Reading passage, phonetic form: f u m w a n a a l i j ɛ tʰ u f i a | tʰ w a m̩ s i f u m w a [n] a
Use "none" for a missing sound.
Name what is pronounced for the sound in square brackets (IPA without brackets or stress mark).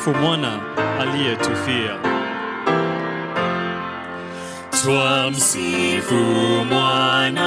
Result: n